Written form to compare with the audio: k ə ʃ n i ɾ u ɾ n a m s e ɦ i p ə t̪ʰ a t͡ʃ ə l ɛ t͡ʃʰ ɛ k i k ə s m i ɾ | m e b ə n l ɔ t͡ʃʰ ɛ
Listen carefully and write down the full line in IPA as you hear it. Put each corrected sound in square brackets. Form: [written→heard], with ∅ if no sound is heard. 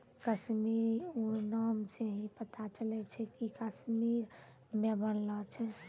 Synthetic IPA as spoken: k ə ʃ [n→m] i ɾ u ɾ n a m s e ɦ i p ə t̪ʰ a t͡ʃ ə l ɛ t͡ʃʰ ɛ k i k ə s m i ɾ | m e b ə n l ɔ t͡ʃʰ ɛ